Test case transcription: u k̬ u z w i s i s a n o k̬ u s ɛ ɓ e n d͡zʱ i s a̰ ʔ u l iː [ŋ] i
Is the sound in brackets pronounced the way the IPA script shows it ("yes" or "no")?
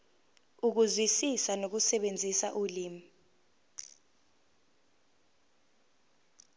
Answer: no